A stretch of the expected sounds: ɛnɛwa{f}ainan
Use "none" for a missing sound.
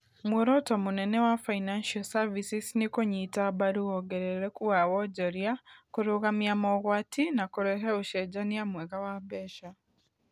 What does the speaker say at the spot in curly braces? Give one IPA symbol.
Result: f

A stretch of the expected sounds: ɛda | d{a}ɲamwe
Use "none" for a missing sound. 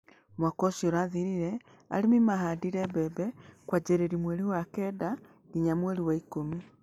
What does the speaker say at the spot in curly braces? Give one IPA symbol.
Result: i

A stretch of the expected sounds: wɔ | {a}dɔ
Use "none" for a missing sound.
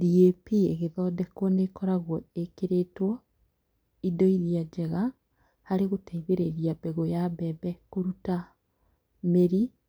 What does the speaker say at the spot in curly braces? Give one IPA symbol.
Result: i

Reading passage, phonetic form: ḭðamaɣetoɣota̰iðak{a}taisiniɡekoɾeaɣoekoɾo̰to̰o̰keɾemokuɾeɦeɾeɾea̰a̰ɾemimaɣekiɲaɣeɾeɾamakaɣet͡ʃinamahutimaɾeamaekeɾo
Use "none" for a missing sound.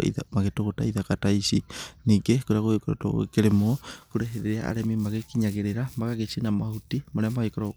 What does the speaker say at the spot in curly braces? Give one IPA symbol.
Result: a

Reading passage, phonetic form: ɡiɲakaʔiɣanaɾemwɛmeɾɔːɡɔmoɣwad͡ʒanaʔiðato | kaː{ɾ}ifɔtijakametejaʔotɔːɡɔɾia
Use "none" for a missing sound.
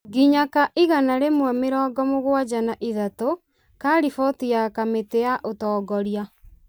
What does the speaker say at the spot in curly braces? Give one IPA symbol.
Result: ɾ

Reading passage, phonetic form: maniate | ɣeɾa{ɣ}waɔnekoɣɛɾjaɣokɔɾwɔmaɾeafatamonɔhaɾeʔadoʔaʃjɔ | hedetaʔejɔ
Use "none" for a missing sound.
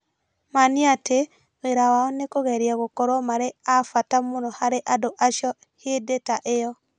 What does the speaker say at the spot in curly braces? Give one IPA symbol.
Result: none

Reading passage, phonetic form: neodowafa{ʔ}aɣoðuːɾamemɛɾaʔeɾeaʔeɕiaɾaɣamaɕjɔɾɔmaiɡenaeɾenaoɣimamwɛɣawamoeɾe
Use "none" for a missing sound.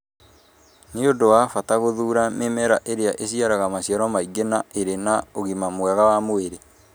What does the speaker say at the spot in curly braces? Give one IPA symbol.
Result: t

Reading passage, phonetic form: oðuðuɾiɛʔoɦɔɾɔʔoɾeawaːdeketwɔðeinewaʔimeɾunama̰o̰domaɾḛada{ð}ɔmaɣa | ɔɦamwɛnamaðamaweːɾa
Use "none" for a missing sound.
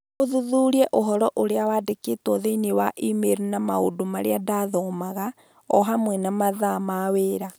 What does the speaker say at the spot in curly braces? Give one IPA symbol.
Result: ð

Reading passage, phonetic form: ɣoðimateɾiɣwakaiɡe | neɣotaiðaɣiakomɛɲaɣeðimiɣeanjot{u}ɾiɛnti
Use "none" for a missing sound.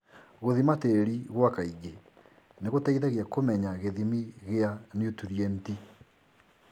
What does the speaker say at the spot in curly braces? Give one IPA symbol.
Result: u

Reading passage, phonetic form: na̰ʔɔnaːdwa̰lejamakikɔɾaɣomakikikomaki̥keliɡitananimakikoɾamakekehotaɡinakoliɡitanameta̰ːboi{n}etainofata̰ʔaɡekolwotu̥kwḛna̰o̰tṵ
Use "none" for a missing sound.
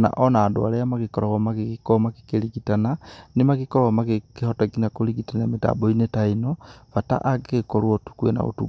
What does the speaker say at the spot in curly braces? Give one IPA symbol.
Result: n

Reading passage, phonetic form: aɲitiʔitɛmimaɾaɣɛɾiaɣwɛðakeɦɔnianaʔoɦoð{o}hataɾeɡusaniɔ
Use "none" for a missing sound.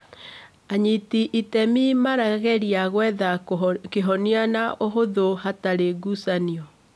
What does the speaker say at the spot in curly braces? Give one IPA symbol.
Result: o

